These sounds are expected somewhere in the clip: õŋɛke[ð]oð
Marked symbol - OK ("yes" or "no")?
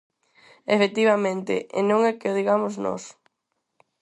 no